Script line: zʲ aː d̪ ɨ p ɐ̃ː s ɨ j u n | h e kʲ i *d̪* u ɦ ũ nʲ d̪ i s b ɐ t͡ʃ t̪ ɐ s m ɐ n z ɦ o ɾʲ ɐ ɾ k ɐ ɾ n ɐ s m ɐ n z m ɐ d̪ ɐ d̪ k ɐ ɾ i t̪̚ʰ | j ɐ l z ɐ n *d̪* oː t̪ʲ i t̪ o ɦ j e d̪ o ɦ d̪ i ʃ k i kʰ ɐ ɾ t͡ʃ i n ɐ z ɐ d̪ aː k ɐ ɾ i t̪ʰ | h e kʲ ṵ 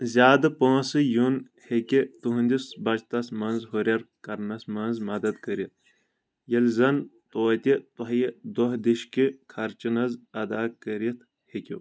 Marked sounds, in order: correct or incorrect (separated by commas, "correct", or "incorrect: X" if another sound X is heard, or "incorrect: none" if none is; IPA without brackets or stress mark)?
incorrect: t̪, incorrect: t̪